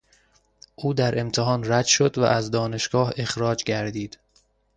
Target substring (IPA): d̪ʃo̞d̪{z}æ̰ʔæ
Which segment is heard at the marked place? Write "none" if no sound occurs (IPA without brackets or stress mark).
v